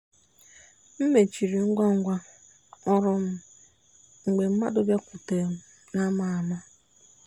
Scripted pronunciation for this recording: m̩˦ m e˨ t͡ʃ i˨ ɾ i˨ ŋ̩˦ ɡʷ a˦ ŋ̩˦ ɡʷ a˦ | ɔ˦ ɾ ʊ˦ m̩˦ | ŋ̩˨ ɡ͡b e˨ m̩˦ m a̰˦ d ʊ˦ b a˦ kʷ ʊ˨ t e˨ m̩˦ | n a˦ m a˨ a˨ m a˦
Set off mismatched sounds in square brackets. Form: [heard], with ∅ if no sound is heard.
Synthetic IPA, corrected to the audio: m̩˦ m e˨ t͡ʃ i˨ ɾ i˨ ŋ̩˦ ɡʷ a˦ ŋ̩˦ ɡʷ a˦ | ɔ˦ ɾ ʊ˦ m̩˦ | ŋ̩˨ ɡ͡b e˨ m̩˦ m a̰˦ d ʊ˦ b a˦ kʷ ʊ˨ t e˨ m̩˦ | n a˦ m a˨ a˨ m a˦